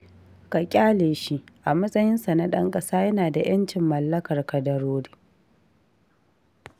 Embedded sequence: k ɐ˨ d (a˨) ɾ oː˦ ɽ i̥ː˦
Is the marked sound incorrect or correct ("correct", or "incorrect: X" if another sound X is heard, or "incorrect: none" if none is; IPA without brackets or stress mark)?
incorrect: ɐ˨